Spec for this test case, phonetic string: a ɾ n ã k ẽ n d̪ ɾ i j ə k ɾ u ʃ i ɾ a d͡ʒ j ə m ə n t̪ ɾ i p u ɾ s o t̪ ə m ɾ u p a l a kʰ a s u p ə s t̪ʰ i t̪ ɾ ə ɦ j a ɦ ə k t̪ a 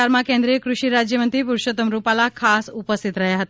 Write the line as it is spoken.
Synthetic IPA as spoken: a ɾ m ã k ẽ n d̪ ɾ i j ə k ɾ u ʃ i ɾ a d͡ʒ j ə m ə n t̪ ɾ i p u ɾ ʃ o t̪ ə m ɾ u p a l a kʰ a s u p ə s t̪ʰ i t̪ ɾ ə ɦ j a ɦ ə t̪ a